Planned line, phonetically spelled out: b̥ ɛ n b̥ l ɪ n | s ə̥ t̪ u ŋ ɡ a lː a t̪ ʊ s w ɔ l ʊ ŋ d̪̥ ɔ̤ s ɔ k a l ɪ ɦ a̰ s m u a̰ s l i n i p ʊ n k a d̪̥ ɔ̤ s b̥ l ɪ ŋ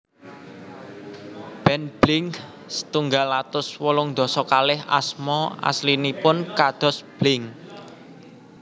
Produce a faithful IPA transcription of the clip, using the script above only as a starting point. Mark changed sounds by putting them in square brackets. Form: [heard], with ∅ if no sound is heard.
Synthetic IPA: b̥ ɛ n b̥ l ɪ [ŋ] | s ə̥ t̪ u ŋ ɡ a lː a t̪ ʊ s w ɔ l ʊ ŋ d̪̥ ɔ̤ s ɔ k a l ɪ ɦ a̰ s m [ɔ] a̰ s l i n i p ʊ n k a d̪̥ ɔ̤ s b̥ l ɪ ŋ